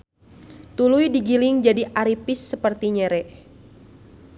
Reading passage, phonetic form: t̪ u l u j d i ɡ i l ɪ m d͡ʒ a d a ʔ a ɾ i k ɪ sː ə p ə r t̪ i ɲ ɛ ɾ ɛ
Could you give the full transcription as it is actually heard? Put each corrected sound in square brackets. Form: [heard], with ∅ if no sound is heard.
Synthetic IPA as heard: t̪ u l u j d i ɡ i l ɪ [ŋ] d͡ʒ a d [i] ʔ a ɾ i [p] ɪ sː ə p ə r t̪ i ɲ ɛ ɾ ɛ